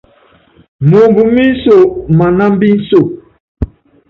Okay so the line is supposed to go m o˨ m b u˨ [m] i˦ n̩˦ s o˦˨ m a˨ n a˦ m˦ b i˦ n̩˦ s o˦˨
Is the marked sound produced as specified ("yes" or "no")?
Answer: yes